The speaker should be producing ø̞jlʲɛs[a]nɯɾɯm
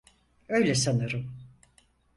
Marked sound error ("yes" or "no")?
no